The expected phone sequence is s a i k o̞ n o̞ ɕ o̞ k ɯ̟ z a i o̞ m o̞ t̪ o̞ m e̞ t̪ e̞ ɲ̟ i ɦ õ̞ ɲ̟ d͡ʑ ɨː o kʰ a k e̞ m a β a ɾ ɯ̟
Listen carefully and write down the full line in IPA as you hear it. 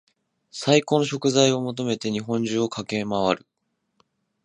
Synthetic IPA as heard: s a i k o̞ n o̞ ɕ o̞ k ɯ̟ z a i o̞ m o̞ t̪ o̞ m e̞ t̪ e̞ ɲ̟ i ɦ õ̞ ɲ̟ d͡ʑ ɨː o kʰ a k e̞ m a β a ɾ ɯ̟